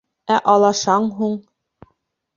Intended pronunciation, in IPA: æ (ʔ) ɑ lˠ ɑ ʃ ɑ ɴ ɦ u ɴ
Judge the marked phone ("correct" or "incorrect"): correct